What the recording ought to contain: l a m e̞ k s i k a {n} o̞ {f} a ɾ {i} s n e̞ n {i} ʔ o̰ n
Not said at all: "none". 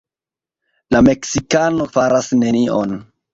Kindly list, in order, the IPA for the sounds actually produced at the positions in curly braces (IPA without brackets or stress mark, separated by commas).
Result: n, f, a, i